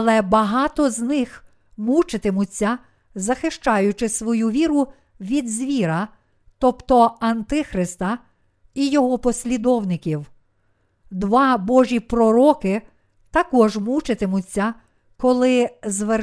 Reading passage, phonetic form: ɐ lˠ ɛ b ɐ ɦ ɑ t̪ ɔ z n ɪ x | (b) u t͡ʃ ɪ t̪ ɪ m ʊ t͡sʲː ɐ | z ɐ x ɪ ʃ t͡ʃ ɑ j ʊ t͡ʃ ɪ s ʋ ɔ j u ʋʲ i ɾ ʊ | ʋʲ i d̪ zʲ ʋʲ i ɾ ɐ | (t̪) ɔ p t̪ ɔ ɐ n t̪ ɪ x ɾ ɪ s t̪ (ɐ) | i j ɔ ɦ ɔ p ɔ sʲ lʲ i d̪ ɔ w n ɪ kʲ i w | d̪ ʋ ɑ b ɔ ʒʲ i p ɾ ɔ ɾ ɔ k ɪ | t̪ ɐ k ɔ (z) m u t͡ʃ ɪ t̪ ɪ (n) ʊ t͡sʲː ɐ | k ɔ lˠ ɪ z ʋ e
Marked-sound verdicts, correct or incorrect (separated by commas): incorrect, correct, correct, incorrect, incorrect